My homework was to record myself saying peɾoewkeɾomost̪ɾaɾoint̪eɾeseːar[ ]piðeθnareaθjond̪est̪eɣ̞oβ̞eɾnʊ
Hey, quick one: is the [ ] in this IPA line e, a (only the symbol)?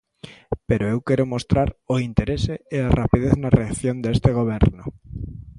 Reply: a